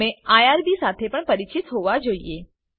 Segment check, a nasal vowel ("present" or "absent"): absent